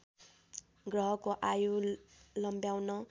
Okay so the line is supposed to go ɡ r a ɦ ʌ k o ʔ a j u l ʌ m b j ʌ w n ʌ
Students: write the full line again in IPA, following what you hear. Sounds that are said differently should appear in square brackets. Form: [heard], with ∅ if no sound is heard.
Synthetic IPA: ɡ r [ʌ] ɦ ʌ k o ʔ a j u l ʌ m b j [a] w n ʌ